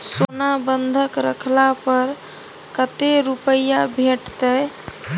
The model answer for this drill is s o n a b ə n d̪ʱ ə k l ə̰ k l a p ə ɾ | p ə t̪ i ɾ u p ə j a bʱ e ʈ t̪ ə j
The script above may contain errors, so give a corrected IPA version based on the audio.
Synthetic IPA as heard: s o n a b ə n d̪ʱ ə k ɾ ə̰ kʰ l a p ə ɾ | k ə t̪ e ɾ u p ə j a bʱ e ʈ t̪ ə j